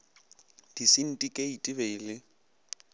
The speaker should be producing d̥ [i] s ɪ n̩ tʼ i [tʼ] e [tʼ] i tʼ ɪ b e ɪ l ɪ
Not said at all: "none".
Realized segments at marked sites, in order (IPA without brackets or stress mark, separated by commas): i, kʼ, none